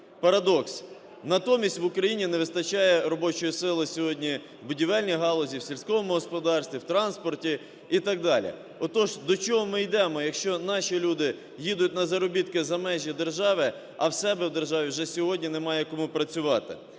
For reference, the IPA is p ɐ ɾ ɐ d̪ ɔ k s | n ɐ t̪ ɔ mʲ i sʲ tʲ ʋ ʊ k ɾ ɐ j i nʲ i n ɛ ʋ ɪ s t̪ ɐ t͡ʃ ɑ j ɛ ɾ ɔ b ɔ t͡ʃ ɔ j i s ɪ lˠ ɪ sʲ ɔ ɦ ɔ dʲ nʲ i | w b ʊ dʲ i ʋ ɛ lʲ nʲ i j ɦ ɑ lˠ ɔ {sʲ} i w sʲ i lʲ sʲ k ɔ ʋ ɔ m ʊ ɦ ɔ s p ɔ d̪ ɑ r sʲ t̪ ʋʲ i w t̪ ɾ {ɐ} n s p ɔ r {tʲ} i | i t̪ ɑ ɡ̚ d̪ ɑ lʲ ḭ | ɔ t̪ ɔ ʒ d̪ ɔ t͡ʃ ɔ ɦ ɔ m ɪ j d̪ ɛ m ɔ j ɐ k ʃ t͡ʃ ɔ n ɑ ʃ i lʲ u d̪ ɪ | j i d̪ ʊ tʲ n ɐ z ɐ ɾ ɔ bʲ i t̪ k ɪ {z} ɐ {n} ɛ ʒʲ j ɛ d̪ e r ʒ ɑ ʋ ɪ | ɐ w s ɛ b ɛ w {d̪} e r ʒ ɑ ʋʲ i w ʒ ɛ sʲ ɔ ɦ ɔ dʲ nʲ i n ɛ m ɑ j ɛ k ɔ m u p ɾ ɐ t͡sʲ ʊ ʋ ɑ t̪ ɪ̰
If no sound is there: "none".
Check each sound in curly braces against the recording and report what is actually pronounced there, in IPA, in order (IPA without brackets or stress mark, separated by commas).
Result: zʲ, ɑ, tʲ, z, m, d̪